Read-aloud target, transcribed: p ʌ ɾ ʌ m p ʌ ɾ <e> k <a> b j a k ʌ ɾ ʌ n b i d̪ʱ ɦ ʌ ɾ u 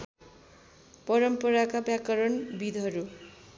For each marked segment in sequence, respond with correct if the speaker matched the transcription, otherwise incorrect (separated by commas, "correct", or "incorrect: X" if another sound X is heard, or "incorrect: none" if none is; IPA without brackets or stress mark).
incorrect: a, correct